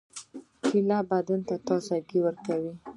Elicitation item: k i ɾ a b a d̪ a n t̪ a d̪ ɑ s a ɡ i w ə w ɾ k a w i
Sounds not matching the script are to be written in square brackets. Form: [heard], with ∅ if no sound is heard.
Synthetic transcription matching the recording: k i [l] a b a d̪ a n t̪ a [t̪] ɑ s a ɡ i w ə [∅] ɾ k a w i